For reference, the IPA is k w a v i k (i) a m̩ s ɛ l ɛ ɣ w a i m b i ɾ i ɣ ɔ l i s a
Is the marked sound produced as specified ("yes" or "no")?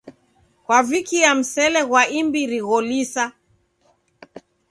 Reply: yes